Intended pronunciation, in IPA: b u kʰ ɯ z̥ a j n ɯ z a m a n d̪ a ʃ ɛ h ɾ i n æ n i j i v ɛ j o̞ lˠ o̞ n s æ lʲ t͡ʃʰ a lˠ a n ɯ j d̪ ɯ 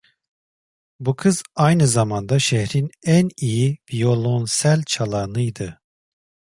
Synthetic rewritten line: b u kʰ ɯ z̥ a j n ɯ z a m a n d̪ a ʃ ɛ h ɾ i n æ n i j i v i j o̞ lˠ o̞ n s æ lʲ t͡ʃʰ a lˠ a n ɯ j d̪ ɯ

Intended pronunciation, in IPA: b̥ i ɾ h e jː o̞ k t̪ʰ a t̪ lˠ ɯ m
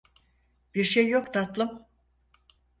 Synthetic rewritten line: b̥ i ɾ ʃ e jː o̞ k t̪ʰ a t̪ lˠ ɯ m

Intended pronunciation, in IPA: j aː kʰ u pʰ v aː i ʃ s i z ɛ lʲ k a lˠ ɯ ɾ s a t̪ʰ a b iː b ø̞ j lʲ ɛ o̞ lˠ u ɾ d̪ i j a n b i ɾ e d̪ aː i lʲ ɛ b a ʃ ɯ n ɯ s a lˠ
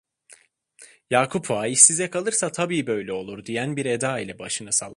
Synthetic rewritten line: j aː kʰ u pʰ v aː i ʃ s i z ɛ k a lˠ ɯ ɾ s a t̪ʰ a b iː b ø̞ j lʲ ɛ o̞ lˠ u ɾ d̪ i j æ n b i ɾ e d̪ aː i lʲ ɛ b a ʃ ɯ n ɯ s a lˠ

